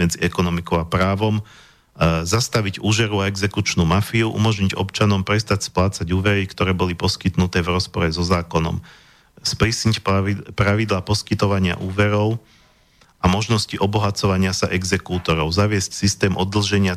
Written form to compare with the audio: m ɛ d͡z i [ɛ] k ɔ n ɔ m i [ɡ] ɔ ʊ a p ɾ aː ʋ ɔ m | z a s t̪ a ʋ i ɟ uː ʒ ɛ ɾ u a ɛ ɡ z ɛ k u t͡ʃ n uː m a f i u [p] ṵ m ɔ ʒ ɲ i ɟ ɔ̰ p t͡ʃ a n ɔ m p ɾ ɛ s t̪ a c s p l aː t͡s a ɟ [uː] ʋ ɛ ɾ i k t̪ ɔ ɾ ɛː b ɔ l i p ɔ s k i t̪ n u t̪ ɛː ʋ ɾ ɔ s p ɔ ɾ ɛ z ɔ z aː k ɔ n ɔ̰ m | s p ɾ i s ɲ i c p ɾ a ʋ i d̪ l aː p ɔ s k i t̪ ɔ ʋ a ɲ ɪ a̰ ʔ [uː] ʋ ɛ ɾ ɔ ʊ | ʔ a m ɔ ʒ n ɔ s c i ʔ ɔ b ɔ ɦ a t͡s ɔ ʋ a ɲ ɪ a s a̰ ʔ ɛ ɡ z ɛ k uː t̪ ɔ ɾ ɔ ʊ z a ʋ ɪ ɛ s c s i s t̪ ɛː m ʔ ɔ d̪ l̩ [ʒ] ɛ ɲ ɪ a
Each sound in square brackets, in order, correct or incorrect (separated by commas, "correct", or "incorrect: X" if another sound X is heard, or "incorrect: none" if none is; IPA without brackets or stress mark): correct, incorrect: k, incorrect: ʔ, correct, correct, correct